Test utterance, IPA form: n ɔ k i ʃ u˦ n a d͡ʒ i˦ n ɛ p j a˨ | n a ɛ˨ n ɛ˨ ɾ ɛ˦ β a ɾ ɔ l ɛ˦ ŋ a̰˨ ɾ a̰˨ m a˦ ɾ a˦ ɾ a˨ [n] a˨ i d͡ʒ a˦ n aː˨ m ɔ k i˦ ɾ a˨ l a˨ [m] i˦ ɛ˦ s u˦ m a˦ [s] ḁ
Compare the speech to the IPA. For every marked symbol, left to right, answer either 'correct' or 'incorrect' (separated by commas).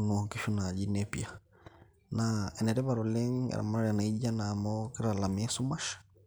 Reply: correct, correct, incorrect